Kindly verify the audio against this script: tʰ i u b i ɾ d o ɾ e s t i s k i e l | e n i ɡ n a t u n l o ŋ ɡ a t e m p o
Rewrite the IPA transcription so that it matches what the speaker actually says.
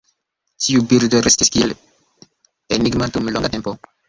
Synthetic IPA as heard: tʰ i u b i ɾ d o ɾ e s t i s k i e l | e n i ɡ m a t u m l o ŋ ɡ a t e m p o